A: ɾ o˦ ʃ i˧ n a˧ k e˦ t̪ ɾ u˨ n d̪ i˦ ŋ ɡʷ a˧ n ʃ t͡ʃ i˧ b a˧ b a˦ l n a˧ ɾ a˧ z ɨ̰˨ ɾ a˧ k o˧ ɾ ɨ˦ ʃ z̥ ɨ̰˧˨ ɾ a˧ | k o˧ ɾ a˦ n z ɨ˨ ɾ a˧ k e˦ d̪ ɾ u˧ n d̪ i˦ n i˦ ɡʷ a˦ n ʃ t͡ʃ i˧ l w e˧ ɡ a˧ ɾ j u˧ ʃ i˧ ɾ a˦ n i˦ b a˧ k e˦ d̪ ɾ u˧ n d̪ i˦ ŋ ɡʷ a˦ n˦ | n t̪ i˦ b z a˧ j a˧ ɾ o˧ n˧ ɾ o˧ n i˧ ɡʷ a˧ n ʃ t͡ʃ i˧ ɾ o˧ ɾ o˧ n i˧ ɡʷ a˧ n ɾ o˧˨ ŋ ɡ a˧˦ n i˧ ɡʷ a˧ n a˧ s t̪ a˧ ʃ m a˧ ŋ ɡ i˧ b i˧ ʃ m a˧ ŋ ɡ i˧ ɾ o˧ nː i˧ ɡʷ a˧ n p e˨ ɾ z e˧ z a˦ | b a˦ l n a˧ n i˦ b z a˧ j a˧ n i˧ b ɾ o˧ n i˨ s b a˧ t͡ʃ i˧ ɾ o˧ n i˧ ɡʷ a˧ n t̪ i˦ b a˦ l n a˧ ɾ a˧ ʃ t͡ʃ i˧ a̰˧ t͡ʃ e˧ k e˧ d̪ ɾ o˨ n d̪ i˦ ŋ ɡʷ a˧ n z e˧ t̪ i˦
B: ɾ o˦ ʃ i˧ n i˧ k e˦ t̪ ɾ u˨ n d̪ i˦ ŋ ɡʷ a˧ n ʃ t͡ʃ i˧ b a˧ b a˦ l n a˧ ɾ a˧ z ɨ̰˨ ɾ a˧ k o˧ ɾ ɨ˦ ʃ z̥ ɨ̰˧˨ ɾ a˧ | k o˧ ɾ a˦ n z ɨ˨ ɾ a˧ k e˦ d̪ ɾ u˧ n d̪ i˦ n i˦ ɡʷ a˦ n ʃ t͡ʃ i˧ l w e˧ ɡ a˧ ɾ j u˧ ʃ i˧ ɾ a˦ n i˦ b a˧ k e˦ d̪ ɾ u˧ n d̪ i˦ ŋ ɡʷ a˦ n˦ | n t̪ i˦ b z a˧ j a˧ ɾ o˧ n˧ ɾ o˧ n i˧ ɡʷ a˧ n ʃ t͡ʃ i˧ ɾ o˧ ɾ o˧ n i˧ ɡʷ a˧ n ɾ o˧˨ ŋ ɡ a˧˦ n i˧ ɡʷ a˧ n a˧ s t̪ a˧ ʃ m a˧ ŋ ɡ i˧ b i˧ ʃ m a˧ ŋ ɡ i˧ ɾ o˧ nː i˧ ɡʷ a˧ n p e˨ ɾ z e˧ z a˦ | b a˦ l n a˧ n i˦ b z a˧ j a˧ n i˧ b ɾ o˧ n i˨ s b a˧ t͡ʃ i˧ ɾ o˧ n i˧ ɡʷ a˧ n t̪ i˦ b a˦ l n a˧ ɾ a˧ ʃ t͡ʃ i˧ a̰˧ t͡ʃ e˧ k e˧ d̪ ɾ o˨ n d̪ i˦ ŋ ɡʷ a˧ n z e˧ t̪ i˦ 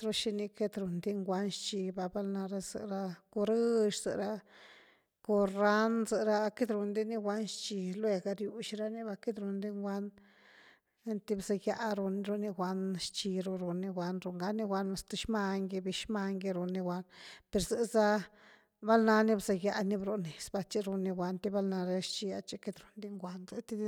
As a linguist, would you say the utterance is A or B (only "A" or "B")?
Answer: B